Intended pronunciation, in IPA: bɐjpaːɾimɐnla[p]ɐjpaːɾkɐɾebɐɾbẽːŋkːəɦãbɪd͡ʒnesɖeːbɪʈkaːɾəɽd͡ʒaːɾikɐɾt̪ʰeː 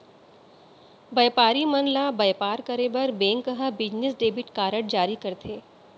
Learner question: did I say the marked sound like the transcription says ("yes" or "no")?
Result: no